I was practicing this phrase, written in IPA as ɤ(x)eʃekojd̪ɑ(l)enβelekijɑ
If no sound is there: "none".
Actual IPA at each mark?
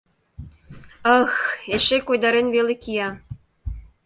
x, ɾ

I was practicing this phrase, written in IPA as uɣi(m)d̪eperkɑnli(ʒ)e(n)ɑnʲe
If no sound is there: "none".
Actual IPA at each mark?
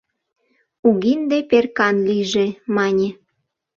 n, ʒ, m

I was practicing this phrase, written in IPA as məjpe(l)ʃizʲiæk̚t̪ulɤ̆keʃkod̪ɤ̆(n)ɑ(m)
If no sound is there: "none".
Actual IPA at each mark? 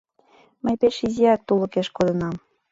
none, n, m

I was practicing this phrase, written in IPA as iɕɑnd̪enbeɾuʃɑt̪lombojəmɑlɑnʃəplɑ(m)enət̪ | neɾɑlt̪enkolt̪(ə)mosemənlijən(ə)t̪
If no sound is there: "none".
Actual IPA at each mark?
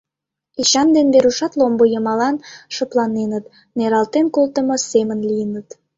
n, ə, ə

